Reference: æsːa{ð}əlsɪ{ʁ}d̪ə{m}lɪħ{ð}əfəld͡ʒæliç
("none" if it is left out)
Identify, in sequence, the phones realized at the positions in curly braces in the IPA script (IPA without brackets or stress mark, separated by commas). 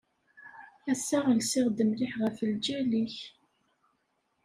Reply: ʁ, ʁ, m, ʁ